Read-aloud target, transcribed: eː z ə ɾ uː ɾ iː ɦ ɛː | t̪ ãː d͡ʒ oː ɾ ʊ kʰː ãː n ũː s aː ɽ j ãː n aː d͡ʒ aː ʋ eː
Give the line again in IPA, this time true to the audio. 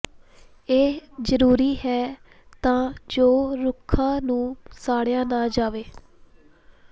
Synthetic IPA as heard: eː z ə ɾ uː ɾ iː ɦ ɛː | t̪ ãː d͡ʒ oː ɾ ʊ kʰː ãː n ũː s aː ɽ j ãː n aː d͡ʒ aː ʋ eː

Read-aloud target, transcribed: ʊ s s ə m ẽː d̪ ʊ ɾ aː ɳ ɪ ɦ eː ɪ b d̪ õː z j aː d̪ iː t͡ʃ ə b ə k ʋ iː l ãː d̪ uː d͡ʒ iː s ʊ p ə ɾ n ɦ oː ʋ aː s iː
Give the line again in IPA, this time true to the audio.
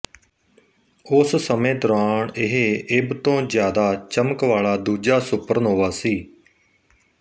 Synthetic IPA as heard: ʊ s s ə m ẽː d̪ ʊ ɾ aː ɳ ɪ ɦ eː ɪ b t̪ õː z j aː d̪ aː t͡ʃ ə m ə k ʋ aː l aː d̪ uː d͡ʒ aː s ʊ p ə ɾ n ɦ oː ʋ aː s iː

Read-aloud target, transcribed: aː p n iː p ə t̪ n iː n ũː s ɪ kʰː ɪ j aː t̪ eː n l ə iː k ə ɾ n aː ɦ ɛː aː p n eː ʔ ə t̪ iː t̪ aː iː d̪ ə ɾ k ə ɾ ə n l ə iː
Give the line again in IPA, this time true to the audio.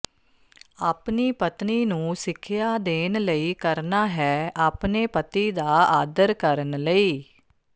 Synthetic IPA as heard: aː p n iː p ə t̪ n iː n ũː s ɪ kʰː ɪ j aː d̪ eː n l ə iː k ə ɾ n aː ɦ ɛː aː p n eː p ə t̪ iː d̪ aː aː d̪ ə ɾ k ə ɾ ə n l ə iː

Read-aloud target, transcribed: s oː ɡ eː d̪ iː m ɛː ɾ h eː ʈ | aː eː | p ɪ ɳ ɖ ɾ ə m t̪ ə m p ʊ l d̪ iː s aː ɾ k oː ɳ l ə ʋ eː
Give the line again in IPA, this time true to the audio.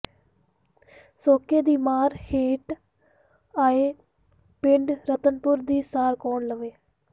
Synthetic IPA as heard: s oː k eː d̪ iː m aː ɾ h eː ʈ | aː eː | p ɪ ɳ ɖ ɾ ə t̪ ə n p ʊ ɾ d̪ iː s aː ɾ k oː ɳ l ə ʋ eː

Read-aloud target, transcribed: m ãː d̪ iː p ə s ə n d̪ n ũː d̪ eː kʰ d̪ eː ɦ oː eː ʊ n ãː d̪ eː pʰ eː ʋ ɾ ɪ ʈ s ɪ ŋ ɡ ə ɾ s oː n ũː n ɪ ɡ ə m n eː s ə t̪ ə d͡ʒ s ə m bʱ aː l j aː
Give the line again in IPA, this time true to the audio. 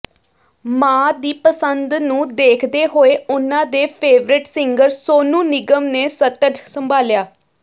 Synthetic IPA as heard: m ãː d̪ iː p ə s ə n d̪ n ũː d̪ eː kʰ d̪ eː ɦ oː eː ʊ n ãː d̪ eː pʰ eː ʋ ɾ ɪ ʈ s ɪ ŋ ɡ ə ɾ s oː n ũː n ɪ ɡ ə m n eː s ə t̪ ə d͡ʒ s ə m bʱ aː l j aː

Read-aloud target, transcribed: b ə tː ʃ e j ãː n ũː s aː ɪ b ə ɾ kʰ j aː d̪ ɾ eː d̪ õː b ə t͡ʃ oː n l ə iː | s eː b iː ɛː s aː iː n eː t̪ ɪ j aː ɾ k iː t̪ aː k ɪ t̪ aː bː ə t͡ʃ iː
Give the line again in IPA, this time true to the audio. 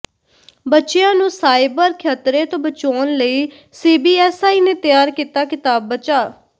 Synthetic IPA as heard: b ə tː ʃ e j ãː n ũː s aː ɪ b ə ɾ kʰ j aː t̪ ɾ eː t̪ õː b ə t͡ʃ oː n l ə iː | s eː b iː ɛː s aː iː n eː t̪ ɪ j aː ɾ k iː t̪ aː k ɪ t̪ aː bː ə t͡ʃ aː

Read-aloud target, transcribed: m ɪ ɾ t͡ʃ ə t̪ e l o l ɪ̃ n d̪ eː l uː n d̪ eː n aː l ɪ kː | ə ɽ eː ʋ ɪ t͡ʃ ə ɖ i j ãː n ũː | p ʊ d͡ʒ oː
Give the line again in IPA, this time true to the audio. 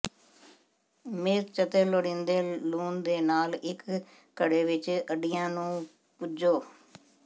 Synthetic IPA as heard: m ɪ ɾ t͡ʃ ə t̪ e l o ɽ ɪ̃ n d̪ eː l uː n d̪ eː n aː l ɪ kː | ə ɽ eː ʋ ɪ t͡ʃ ə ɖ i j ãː n ũː | p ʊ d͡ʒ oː

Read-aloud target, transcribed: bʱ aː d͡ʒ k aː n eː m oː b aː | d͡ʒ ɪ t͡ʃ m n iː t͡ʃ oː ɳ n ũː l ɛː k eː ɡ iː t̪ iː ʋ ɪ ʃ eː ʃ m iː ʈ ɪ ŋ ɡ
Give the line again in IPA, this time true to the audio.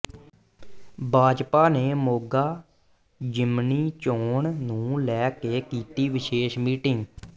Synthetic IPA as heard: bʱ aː d͡ʒ p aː n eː m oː ɡ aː | d͡ʒ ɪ m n iː t͡ʃ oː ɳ n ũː l ɛː k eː k iː t̪ iː ʋ ɪ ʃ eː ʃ m iː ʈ ɪ ŋ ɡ

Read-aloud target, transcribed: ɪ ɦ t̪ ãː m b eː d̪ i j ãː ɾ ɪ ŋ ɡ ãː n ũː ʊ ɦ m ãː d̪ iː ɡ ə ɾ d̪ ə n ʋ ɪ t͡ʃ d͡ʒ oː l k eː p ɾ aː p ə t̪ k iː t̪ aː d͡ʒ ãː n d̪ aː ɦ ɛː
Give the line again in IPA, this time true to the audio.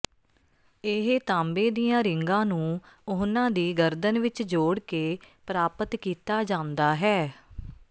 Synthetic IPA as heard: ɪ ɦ t̪ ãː m b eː d̪ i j ãː ɾ ɪ ŋ ɡ ãː n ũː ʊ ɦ n ãː d̪ iː ɡ ə ɾ d̪ ə n ʋ ɪ t͡ʃ d͡ʒ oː ɽ k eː p ɾ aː p ə t̪ k iː t̪ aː d͡ʒ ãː n d̪ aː ɦ ɛː

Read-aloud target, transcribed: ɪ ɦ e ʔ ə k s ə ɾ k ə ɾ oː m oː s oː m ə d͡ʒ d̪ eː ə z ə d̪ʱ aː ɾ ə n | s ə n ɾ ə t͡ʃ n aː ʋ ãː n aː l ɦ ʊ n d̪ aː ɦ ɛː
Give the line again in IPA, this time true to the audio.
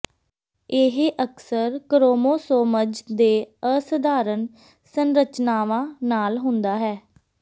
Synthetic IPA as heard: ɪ ɦ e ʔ ə k s ə ɾ k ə ɾ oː m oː s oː m ə d͡ʒ d̪ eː ə s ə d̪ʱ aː ɾ ə n | s ə n ɾ ə t͡ʃ n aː ʋ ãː n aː l ɦ ʊ n d̪ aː ɦ ɛː

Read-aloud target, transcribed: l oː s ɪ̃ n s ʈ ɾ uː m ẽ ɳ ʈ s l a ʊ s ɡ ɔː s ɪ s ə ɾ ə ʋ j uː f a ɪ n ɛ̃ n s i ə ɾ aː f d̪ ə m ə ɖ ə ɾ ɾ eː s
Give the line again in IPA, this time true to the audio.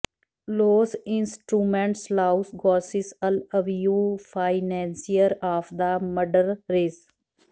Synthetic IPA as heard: l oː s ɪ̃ n s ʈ ɾ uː m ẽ ɳ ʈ s l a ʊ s ɡ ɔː s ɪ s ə l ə ʋ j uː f a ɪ n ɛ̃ n s i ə ɾ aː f d̪ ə m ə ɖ ə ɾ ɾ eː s

